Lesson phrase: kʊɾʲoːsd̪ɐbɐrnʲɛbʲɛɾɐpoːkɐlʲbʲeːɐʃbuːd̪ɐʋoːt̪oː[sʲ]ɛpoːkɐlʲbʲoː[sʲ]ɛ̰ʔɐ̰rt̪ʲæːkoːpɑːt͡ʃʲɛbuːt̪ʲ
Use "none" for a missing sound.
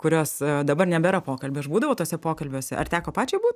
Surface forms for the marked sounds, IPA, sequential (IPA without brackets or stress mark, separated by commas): sʲ, sʲ